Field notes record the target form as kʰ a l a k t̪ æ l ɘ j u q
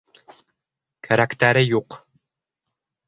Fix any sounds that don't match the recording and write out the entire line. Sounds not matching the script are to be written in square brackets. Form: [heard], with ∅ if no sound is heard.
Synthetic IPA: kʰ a [ɾ] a k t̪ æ [ɾ] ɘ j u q